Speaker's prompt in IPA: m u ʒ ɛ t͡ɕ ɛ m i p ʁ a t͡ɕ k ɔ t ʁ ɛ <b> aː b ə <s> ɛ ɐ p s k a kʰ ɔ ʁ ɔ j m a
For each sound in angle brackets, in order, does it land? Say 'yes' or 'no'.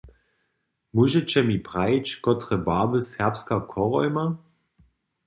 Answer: yes, yes

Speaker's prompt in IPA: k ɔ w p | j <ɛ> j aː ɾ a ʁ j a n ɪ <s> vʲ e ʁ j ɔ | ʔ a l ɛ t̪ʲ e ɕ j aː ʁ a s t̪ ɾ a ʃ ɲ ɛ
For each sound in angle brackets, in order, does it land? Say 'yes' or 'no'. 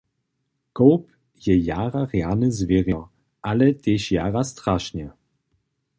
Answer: yes, no

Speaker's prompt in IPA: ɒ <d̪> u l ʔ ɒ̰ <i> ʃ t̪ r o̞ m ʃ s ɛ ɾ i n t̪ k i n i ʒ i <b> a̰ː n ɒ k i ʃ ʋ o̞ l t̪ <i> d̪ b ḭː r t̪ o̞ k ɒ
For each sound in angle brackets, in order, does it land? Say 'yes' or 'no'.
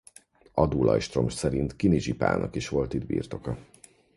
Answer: yes, no, no, yes

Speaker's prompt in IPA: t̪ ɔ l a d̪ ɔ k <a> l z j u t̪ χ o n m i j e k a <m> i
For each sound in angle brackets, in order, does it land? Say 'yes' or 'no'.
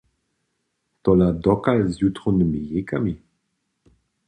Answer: yes, yes

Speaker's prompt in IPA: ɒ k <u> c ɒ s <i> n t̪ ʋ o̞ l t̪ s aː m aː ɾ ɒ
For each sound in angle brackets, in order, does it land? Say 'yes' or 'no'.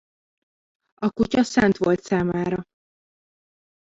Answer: yes, no

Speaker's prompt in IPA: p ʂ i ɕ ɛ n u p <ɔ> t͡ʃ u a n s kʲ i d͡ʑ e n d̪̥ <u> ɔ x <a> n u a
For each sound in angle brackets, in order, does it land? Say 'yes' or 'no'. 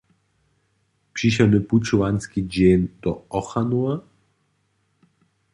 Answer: no, no, yes

